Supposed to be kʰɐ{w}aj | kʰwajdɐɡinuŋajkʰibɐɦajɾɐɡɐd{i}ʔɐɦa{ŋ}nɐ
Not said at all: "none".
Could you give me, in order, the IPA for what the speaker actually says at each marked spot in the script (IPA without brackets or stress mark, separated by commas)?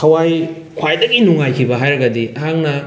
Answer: w, i, ŋ